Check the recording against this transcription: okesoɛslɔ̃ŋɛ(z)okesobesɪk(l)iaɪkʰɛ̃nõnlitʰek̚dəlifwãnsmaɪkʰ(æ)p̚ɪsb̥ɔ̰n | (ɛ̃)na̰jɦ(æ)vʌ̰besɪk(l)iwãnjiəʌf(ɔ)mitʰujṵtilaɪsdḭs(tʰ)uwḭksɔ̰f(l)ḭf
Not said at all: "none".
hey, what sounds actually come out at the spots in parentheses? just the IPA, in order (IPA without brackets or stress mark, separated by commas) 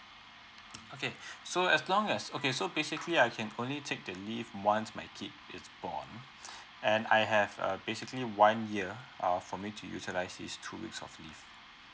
s, l, i, ɛ̃, ɛ, l, ɔ, tʰ, l